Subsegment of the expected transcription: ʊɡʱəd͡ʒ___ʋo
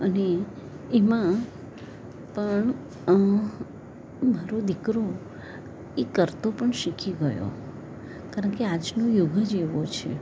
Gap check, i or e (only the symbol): e